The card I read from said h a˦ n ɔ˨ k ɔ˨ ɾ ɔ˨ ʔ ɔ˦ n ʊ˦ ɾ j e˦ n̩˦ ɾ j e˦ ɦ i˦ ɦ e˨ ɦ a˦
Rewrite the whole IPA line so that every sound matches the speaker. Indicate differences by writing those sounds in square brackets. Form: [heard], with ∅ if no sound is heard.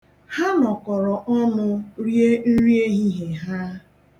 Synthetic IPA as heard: h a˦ n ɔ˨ k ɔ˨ ɾ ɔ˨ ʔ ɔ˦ n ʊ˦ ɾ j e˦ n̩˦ ɾ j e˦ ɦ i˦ ɦ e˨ ɦ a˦